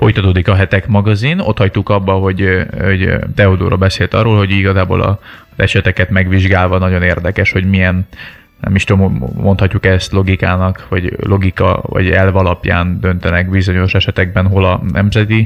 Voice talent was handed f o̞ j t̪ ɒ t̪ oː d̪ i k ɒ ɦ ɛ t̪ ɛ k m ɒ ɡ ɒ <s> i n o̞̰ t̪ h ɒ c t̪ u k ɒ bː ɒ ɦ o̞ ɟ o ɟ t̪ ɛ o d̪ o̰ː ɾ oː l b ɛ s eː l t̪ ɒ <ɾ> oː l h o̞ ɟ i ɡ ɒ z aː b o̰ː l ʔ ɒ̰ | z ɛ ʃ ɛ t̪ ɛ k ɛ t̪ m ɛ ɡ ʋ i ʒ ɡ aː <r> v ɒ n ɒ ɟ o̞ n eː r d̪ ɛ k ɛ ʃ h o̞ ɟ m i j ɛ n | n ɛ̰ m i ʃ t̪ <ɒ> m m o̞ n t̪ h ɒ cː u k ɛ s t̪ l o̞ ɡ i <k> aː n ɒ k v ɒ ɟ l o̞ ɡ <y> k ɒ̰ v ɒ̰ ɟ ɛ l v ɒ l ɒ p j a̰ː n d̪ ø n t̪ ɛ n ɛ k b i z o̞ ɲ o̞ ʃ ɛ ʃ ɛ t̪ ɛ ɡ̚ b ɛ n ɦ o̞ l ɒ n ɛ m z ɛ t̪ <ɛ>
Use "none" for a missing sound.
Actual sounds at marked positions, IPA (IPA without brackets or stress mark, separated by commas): z, r, l, o, k, i, i